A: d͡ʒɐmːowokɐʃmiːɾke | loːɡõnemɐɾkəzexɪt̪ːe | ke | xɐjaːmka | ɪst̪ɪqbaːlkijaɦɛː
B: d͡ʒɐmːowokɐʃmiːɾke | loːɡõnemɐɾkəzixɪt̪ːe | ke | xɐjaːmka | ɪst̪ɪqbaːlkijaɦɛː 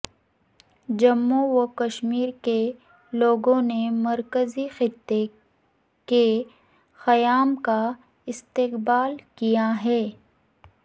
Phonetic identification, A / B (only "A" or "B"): B